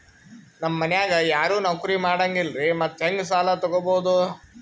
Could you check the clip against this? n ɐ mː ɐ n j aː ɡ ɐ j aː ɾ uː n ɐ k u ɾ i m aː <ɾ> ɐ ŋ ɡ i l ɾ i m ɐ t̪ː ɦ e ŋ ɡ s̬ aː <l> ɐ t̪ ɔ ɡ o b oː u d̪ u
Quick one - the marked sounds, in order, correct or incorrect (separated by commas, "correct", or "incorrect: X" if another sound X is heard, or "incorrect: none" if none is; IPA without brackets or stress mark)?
incorrect: ɽ, correct